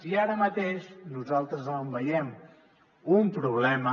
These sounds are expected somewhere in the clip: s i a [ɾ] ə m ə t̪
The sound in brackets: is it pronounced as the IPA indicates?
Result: yes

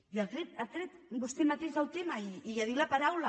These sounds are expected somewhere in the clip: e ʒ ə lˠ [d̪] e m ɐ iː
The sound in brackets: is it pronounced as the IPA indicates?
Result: no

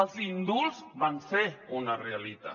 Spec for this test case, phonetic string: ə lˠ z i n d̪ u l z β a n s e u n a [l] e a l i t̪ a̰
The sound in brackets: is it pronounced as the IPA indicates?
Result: no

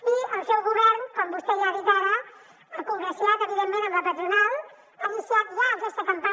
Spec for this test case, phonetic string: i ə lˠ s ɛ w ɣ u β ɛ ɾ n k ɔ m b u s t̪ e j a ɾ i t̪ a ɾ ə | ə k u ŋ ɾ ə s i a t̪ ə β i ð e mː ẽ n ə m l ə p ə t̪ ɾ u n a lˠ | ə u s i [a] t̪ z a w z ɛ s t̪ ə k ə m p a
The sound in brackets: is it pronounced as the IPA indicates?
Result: yes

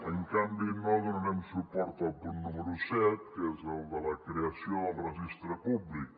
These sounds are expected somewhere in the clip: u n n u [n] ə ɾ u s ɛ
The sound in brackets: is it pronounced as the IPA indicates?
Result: no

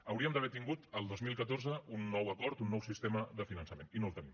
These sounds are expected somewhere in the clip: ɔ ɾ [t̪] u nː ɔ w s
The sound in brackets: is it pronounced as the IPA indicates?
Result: yes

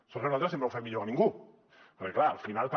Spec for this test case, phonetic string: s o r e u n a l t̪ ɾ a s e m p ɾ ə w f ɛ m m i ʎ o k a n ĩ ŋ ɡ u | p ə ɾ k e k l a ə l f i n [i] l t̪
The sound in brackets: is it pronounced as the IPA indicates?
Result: no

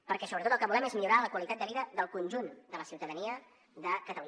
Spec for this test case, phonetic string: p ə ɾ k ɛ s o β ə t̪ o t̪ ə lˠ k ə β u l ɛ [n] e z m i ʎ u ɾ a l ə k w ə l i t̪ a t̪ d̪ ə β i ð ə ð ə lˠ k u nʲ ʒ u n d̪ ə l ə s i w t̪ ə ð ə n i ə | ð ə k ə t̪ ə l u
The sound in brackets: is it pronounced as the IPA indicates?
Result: no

